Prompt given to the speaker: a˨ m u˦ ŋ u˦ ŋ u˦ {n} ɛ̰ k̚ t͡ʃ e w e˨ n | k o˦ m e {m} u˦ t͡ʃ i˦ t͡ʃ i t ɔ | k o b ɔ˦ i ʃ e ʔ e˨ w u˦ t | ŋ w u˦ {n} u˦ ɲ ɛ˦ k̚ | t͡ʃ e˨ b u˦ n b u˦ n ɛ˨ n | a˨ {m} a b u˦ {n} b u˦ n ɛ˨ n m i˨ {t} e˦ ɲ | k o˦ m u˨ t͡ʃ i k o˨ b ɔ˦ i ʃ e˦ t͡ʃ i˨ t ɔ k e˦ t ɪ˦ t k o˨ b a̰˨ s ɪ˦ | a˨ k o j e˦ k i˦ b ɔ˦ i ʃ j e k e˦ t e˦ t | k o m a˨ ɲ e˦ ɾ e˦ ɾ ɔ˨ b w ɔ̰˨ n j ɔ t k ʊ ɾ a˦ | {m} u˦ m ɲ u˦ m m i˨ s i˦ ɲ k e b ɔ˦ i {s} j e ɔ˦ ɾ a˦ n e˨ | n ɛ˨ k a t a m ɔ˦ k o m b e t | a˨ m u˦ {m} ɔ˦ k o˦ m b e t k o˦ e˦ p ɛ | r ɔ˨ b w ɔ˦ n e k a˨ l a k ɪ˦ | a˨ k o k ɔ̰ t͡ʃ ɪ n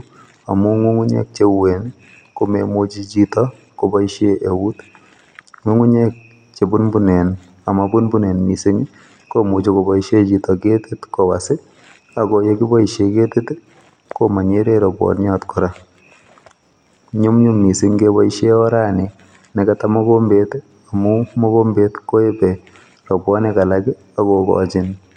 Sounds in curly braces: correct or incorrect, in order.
incorrect: ɲ, correct, incorrect: ŋ, correct, correct, incorrect: s, incorrect: ɲ, incorrect: ʃ, correct

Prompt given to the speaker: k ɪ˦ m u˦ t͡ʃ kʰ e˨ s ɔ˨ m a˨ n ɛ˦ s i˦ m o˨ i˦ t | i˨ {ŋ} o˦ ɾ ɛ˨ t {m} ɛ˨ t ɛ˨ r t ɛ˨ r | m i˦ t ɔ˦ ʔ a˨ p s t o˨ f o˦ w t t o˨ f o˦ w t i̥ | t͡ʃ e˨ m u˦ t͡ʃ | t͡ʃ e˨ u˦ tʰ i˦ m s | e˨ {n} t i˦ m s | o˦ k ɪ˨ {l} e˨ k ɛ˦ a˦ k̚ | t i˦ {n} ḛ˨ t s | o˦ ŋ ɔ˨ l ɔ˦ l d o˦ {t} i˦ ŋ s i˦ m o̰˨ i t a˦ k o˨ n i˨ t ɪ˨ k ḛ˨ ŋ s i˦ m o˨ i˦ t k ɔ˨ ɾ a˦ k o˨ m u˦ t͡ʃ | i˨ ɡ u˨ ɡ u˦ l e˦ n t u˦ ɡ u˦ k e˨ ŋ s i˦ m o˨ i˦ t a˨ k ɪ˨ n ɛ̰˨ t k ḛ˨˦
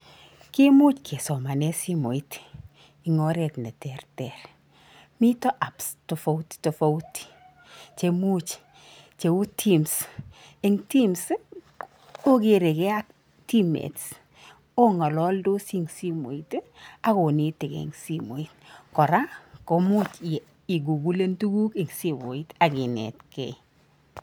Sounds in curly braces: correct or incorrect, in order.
correct, incorrect: n, incorrect: ŋ, incorrect: ɾ, incorrect: m, incorrect: s

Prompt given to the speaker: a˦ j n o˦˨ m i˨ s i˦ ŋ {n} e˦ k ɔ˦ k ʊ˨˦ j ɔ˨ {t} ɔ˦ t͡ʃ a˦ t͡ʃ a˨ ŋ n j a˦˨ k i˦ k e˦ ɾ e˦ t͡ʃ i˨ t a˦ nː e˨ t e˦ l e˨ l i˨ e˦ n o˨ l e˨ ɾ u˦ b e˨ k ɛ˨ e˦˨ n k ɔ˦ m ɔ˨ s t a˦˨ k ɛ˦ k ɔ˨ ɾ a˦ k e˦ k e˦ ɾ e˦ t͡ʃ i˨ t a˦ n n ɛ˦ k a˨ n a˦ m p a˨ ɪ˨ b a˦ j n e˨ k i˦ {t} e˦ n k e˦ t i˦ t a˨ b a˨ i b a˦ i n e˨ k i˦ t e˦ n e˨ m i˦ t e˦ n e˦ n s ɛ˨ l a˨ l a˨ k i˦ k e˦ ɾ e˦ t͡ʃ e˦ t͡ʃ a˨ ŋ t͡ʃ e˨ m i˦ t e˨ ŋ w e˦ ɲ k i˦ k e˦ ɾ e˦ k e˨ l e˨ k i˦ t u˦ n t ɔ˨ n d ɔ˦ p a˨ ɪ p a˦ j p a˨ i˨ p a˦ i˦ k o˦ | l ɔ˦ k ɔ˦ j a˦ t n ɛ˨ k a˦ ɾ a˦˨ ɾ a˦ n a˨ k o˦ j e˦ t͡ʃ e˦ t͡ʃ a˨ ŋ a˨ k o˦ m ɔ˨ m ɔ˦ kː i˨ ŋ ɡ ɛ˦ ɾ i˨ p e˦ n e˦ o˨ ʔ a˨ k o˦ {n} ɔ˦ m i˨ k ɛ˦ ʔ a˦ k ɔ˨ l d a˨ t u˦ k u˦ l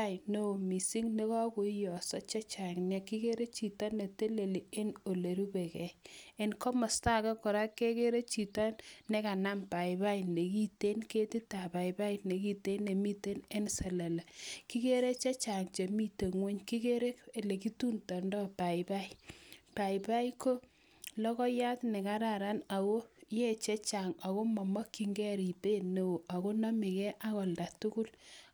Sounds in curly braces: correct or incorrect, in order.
correct, incorrect: s, correct, correct

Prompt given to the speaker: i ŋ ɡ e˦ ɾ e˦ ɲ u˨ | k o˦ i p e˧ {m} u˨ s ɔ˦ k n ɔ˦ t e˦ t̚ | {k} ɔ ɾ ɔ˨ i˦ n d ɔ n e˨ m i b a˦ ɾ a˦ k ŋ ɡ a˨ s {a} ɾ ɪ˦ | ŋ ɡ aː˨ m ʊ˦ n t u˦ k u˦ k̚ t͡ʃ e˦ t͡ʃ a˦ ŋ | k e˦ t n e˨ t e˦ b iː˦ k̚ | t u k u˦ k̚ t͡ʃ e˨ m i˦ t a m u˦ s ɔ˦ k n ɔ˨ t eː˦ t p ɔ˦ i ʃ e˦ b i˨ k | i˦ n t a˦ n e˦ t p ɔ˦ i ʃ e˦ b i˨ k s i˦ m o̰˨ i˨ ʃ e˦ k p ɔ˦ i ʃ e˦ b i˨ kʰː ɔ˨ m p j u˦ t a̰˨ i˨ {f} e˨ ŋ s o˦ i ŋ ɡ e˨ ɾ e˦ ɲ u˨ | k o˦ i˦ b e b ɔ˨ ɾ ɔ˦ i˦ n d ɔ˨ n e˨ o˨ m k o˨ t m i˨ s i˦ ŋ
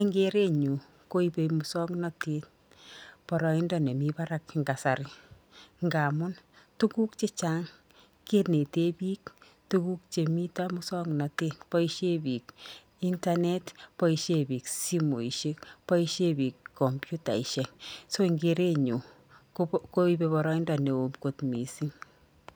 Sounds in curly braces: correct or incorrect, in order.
correct, incorrect: p, correct, incorrect: ʃ

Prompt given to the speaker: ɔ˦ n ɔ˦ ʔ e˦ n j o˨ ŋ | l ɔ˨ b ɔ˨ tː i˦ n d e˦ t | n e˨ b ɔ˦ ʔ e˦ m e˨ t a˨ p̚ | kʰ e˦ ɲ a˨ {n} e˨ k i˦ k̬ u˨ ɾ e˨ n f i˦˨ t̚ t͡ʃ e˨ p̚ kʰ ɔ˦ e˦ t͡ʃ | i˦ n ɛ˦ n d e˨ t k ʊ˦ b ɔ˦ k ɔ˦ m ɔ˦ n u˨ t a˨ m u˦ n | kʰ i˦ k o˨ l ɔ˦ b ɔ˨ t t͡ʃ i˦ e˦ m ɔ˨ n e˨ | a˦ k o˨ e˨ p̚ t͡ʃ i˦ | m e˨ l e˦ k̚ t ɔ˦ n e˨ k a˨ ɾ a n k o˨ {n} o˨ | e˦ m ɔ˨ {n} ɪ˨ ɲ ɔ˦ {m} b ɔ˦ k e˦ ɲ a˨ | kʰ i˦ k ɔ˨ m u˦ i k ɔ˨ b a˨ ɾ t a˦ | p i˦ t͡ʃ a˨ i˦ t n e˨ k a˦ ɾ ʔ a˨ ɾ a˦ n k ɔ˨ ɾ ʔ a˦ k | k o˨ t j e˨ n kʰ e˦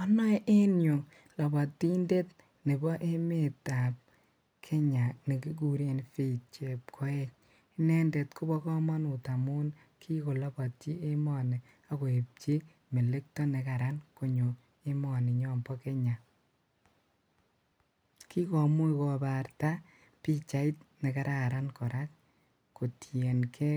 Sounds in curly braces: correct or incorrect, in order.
correct, incorrect: ɲ, correct, correct

